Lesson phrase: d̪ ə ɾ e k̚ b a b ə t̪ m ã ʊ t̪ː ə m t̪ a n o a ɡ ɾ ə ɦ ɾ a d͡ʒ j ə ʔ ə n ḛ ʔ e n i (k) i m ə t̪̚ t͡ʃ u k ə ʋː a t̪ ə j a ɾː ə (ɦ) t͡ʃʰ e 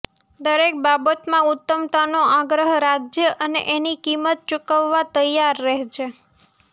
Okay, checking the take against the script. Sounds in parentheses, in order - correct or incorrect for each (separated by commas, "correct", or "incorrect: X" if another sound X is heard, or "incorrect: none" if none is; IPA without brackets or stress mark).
correct, correct